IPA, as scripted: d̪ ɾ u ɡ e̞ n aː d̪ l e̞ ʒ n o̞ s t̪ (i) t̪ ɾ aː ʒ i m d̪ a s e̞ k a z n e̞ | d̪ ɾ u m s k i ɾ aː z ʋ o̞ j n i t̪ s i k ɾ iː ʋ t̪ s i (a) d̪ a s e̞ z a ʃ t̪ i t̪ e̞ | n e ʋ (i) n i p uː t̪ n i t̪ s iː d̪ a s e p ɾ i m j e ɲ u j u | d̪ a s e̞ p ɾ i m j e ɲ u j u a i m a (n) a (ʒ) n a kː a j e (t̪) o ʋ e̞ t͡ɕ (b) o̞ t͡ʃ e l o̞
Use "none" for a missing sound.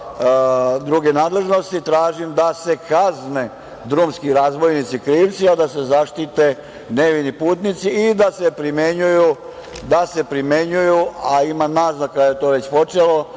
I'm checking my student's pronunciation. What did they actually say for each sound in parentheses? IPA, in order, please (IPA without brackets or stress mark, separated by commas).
i, a, i, n, z, t̪, p